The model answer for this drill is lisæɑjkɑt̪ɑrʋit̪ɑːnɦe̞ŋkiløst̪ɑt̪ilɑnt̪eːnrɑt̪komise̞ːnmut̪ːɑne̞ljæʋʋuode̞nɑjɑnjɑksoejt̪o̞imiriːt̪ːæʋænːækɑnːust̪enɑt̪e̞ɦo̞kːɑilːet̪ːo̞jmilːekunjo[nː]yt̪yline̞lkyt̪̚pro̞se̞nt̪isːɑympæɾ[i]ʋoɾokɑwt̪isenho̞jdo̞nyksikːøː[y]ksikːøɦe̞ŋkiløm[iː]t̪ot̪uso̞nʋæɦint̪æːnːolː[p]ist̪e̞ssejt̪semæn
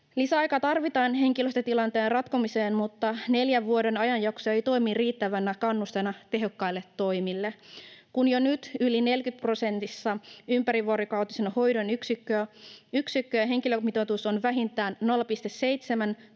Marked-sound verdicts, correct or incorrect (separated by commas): incorrect, correct, correct, incorrect, correct